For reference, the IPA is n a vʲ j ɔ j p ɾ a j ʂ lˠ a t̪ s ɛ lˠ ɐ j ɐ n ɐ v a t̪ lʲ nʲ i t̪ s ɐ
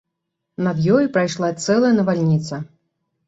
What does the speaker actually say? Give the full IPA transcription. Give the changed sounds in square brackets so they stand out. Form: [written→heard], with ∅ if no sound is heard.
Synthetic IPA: n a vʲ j ɔ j p ɾ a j ʂ lˠ a t̪ s ɛ lˠ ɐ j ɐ n ɐ v a [t̪→∅] lʲ nʲ i t̪ s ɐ